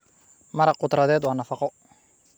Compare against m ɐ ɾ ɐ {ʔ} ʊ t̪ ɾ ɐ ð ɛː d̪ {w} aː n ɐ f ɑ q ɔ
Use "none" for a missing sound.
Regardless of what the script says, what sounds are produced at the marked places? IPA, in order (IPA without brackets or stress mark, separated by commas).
q, w